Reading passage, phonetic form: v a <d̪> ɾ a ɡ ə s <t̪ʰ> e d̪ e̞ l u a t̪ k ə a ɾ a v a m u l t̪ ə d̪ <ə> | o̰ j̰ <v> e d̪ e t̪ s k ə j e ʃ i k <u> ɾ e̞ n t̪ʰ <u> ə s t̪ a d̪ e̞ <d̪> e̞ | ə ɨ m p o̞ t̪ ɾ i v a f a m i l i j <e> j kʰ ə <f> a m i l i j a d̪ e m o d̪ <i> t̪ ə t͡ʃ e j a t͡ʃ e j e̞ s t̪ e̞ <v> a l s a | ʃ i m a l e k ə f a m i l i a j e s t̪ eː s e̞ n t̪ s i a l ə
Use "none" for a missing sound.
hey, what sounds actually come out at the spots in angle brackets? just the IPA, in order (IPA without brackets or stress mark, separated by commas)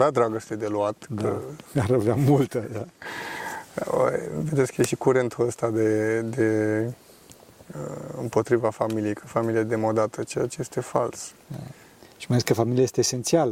d̪, t̪, a, v, u, u, d̪, e, f, a, f